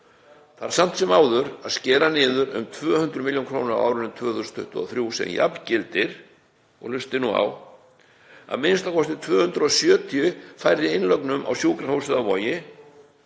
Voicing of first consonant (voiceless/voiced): voiceless